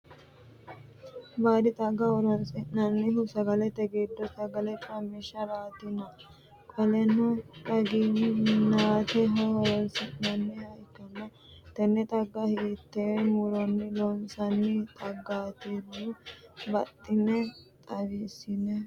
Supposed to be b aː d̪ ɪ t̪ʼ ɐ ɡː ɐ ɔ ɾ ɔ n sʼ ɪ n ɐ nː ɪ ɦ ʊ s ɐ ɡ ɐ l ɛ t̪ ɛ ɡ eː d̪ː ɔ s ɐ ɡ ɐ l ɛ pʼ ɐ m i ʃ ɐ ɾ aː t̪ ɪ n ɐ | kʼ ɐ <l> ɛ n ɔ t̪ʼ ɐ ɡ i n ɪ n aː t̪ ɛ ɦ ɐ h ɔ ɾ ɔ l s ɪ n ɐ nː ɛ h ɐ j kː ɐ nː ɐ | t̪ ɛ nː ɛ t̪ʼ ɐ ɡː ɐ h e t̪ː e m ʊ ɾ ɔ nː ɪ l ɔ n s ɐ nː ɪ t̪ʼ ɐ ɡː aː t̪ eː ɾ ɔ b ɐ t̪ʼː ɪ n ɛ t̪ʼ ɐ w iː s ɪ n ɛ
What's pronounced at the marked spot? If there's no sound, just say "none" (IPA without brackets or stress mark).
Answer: l